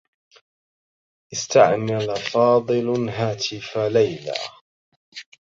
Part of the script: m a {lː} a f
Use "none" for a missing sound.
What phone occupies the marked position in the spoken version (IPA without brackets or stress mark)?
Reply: l